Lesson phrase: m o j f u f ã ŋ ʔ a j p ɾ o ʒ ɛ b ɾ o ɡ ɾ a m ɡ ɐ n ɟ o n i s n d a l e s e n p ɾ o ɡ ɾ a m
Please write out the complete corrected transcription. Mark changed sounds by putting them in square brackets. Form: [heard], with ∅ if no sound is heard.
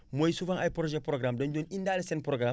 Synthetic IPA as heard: m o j [s] u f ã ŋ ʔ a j p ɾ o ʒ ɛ [p] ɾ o ɡ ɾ a m [d] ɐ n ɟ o n i [∅] n d a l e s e n p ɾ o ɡ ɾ a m